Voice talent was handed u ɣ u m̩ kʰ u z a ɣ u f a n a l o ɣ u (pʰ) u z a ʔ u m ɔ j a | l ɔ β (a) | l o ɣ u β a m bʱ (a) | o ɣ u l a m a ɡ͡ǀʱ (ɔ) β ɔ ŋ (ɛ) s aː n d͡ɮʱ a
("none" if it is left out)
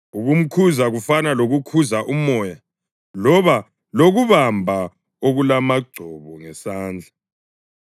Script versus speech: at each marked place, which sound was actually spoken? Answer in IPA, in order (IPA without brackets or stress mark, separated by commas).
kʰ, a, a, ɔ, ɛ